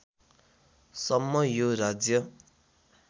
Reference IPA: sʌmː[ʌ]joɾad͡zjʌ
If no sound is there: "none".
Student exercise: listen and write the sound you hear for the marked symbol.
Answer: ʌ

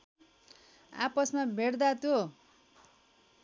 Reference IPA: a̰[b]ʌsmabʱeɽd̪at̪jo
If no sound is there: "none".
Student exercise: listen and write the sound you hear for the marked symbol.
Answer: p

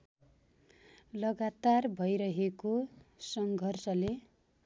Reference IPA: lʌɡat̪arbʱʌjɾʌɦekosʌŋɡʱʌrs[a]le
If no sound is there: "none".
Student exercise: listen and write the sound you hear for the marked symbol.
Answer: ʌ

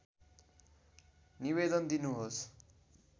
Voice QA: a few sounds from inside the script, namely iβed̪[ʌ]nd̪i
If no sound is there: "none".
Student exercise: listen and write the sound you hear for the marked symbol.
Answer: ʌ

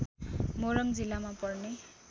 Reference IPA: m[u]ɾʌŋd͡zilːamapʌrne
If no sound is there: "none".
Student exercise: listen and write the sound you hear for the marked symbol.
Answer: o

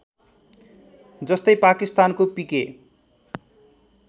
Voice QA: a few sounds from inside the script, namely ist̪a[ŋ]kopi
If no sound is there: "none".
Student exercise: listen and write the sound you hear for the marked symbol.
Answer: n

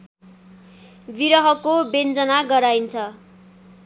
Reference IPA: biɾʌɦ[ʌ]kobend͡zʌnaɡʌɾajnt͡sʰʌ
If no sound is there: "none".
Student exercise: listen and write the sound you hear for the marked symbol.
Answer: ʌ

